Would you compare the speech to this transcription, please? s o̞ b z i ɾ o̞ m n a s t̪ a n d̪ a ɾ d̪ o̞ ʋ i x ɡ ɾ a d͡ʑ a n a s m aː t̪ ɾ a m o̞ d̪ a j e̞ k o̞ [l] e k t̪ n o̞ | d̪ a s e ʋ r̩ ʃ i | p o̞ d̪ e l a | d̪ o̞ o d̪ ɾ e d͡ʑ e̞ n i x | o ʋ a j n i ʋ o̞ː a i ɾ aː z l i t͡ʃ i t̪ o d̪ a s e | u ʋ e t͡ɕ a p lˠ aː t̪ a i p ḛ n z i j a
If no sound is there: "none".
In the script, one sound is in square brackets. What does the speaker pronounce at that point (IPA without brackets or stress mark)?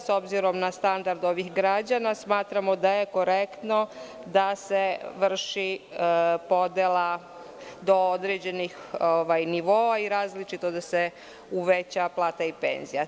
ɾ